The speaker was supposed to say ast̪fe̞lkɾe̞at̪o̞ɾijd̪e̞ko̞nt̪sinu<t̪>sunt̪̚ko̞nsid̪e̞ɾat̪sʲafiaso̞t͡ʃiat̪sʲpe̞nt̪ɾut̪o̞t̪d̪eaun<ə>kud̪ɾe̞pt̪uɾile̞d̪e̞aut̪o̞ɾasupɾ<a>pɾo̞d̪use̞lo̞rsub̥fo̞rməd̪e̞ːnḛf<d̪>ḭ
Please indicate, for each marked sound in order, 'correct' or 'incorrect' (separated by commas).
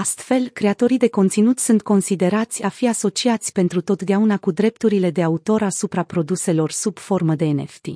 correct, incorrect, correct, incorrect